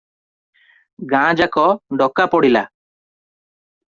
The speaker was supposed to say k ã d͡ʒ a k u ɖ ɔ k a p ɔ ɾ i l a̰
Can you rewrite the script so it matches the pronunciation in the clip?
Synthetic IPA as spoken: ɡ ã d͡ʒ a k ɔ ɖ ɔ k a p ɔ ɽ i l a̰